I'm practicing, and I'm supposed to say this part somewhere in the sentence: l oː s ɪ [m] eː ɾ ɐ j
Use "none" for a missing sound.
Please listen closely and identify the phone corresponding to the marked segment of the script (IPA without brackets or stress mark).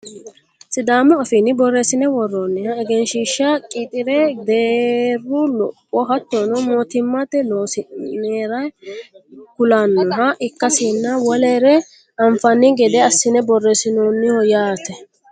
n